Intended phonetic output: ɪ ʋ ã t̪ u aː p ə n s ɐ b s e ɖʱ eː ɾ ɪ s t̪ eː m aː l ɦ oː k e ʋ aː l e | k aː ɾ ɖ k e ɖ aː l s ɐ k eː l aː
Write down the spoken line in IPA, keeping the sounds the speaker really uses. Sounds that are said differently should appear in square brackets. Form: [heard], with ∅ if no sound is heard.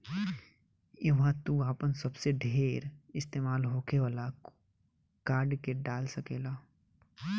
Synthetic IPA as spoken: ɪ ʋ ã t̪ u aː p ə n s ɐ b s e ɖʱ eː ɾ ɪ s t̪ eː m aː l ɦ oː k e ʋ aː l [a] | k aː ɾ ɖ k e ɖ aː l s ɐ k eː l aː